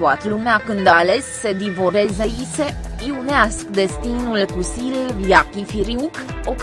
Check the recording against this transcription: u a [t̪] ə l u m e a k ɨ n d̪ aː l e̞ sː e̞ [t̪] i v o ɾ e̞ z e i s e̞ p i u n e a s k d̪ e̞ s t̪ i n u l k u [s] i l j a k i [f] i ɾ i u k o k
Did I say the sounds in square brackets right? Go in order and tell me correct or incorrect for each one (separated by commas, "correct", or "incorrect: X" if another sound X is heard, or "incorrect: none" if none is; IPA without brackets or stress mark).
correct, incorrect: d̪, correct, correct